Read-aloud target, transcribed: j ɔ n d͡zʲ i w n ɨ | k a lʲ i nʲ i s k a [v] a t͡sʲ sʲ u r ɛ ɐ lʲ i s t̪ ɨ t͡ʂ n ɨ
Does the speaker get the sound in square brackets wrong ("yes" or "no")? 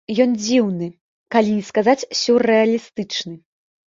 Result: yes